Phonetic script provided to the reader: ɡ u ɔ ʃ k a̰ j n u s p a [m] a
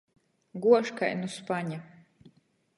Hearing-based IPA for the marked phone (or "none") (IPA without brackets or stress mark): ɲ